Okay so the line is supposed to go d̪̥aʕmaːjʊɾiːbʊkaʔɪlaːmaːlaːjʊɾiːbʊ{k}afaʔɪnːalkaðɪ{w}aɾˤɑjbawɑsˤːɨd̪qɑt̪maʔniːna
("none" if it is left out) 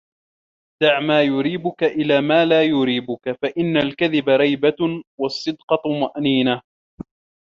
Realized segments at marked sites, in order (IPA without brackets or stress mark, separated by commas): k, b